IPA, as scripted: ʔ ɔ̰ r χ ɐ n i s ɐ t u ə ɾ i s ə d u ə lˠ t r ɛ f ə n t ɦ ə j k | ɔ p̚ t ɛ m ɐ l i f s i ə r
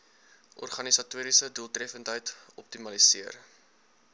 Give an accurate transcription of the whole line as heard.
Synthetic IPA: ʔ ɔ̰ r χ ɐ n i s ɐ t u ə ɾ i s ə d u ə lˠ t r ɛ f ə n t ɦ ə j t | ɔ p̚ t i m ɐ l i s i ə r